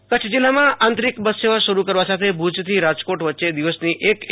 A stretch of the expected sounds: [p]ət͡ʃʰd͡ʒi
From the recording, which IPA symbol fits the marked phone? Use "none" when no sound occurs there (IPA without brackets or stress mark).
k